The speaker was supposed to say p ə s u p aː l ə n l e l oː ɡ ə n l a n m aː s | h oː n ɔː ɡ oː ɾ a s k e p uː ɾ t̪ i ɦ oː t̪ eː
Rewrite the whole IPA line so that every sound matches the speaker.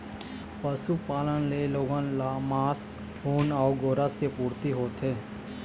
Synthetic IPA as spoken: p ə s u p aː l ə n l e l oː ɡ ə n l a m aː s | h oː n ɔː ɡ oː ɾ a s k e p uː ɾ t̪ i ɦ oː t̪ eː